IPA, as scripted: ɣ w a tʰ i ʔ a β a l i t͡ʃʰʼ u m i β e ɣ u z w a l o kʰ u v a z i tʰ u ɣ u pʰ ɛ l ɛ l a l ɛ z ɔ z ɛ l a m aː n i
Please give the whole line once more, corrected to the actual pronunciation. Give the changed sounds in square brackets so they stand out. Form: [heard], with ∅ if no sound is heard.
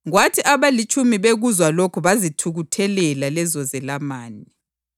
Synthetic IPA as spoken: ɣ w a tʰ i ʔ a β a l i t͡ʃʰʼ u m i β e ɣ u z w a l o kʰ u [β] a z i tʰ u ɣ u [tʰ] ɛ l ɛ l a l ɛ z ɔ z ɛ l a m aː n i